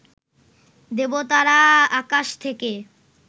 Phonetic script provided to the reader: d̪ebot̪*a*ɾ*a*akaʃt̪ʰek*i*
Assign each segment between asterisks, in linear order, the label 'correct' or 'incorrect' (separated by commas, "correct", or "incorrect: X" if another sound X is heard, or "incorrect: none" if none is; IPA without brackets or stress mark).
correct, correct, incorrect: e